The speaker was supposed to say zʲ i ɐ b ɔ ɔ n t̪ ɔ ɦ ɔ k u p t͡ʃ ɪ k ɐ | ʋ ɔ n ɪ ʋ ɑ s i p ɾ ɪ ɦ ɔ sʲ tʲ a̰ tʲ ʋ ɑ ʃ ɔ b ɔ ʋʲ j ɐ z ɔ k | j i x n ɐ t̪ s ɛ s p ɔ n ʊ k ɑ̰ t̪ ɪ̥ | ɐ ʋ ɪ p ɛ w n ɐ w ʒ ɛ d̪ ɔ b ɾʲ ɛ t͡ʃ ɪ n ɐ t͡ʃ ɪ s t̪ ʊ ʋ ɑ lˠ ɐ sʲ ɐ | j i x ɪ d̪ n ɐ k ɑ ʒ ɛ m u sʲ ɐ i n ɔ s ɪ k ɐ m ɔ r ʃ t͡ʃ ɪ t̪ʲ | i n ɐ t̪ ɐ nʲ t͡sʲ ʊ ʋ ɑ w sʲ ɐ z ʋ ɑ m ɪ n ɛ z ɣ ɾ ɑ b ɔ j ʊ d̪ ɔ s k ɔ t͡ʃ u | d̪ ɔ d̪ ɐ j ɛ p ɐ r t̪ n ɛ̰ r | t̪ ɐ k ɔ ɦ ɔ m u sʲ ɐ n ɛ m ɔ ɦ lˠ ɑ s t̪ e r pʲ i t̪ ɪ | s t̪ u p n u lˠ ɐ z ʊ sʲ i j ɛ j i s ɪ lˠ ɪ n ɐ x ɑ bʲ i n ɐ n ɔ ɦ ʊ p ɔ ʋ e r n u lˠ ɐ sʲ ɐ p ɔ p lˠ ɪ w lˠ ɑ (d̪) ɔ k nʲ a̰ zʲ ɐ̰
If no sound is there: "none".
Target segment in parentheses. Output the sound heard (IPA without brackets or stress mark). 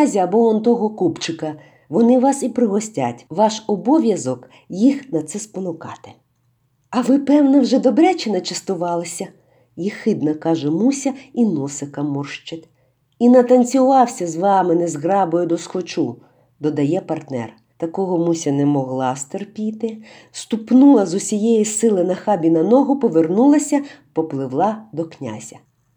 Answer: d̪